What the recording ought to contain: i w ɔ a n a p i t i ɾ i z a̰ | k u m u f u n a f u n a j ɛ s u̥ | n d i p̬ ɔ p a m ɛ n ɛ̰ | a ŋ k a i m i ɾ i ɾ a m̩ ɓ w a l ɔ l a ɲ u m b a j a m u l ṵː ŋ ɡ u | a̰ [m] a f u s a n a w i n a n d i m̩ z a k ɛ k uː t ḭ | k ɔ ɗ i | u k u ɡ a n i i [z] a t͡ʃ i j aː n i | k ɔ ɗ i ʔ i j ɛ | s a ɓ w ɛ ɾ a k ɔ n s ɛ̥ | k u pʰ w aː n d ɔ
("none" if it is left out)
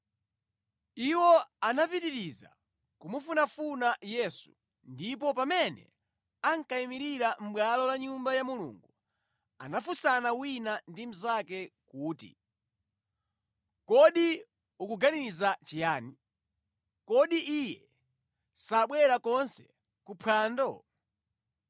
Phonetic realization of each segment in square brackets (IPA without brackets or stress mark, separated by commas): n, z